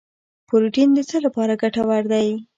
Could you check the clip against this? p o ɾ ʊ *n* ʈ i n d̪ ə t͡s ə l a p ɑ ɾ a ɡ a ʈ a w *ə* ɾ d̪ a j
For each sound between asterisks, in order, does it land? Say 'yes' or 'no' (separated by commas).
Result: no, no